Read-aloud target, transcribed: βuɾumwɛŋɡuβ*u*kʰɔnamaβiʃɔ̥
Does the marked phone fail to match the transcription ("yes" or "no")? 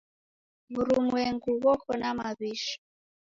yes